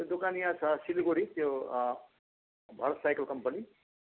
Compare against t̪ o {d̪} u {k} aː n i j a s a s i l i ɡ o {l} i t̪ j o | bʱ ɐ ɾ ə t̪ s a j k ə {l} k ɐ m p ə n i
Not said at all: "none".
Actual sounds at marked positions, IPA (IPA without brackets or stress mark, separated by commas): d̪, k, ɽ, l